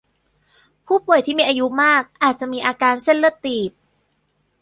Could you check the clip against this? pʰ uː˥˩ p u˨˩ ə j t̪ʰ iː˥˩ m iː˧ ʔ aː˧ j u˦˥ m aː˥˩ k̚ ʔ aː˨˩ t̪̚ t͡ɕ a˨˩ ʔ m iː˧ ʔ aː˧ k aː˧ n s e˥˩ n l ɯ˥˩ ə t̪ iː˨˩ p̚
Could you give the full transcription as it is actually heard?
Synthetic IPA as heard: pʰ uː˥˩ p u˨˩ ə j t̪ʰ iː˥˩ m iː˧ ʔ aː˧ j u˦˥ m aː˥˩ k̚ ʔ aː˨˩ t̪̚ t͡ɕ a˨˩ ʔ m iː˧ ʔ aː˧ k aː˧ n s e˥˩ n l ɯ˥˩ ə t̪ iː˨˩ p̚